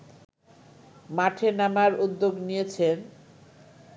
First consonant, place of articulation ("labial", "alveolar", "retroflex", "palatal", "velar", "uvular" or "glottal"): labial